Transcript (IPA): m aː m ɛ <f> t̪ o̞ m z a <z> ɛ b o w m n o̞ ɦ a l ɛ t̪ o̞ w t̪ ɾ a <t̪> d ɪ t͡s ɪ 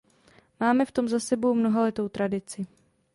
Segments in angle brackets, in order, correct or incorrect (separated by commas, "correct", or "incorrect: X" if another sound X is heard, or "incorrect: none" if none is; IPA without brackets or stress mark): correct, incorrect: s, incorrect: none